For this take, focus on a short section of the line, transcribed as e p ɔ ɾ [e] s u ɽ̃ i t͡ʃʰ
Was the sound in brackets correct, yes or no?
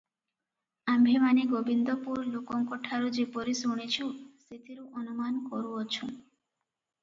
no